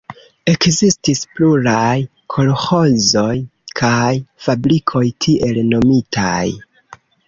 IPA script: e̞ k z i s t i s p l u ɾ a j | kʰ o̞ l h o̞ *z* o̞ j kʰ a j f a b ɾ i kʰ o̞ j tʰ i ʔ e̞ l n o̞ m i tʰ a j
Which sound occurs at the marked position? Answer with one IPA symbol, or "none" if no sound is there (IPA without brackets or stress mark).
z